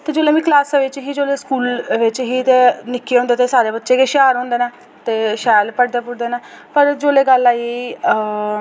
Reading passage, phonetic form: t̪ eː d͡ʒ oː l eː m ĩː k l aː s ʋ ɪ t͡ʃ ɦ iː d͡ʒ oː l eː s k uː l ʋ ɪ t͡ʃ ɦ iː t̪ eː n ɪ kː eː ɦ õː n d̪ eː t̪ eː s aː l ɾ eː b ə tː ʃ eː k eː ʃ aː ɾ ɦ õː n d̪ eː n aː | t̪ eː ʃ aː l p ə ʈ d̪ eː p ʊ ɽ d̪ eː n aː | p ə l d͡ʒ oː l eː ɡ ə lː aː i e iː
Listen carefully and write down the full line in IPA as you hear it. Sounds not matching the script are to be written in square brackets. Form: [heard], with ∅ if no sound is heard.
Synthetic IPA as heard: t̪ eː d͡ʒ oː l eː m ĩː k l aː s ʋ ɪ t͡ʃ ɦ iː d͡ʒ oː l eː s k uː l ʋ ɪ t͡ʃ ɦ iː t̪ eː n ɪ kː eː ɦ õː n d̪ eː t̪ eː s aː [∅] ɾ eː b ə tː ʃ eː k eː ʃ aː ɾ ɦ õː n d̪ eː n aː | t̪ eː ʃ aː l p ə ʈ d̪ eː p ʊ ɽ d̪ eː n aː | p ə [ɾ] d͡ʒ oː l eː ɡ ə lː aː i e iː